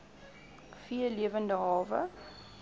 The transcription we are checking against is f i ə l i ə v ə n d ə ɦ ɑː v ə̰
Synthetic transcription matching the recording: f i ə l i ə v ə n d ə ɦ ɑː v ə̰